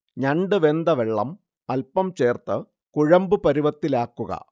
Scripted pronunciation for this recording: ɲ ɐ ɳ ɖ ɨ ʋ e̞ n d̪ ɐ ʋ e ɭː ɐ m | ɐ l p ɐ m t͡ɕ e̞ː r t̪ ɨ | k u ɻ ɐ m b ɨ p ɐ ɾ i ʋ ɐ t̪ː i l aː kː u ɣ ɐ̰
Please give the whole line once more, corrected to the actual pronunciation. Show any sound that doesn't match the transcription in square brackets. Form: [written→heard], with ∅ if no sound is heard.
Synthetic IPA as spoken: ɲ ɐ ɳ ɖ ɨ ʋ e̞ n d̪ ɐ ʋ e ɭː ɐ m | ɐ l p ɐ m t͡ɕ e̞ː r t̪ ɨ | k u ɻ ɐ m b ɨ p ɐ ɾ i ʋ ɐ t̪ː i l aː kː u ɣ ɐ̰